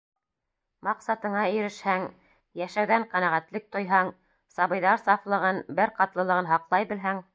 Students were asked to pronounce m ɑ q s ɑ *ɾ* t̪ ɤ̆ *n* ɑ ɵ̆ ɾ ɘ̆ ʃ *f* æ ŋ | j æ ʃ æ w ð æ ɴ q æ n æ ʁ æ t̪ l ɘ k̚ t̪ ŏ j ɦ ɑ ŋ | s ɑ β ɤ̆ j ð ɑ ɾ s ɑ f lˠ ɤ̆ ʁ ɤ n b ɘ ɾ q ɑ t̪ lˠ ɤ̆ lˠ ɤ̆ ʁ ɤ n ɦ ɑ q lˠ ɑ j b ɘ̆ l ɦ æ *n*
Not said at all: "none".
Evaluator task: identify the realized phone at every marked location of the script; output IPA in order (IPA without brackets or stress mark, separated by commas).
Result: none, ɴ, h, ŋ